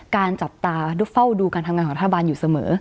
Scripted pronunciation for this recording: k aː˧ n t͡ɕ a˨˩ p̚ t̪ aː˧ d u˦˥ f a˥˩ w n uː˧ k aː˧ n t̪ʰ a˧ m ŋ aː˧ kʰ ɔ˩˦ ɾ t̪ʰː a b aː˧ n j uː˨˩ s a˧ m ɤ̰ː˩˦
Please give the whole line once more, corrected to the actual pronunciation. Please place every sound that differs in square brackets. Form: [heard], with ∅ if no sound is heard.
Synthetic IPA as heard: k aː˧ n t͡ɕ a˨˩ p̚ t̪ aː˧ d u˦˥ f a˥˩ w [d] uː˧ k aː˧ n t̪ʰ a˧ m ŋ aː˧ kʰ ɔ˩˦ ɾ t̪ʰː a b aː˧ n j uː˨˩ s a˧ m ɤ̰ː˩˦